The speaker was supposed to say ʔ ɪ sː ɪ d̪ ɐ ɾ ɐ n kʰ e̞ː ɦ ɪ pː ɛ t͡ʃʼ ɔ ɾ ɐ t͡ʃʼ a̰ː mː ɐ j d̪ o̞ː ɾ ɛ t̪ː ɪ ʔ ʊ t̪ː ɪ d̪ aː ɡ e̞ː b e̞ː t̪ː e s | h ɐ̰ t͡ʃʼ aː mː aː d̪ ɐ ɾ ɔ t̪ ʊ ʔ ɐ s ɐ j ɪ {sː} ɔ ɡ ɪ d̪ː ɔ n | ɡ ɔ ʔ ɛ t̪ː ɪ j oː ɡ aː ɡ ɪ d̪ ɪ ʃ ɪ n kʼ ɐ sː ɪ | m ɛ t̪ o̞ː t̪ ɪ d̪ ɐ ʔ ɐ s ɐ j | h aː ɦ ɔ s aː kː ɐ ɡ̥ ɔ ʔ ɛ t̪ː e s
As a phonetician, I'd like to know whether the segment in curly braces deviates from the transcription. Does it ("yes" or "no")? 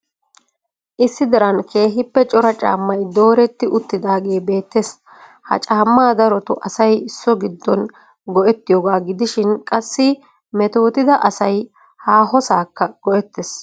no